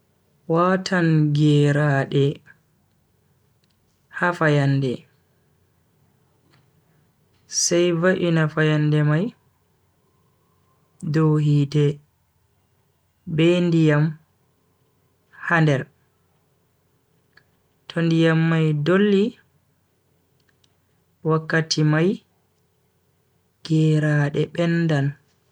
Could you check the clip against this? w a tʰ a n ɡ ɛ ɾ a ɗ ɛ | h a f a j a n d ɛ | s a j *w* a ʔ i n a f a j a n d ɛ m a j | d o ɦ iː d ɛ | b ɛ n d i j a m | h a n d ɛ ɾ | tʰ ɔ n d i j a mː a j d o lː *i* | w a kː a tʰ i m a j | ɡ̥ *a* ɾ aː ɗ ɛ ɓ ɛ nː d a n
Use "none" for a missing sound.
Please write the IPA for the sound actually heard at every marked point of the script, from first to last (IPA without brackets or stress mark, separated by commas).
v, i, ɛ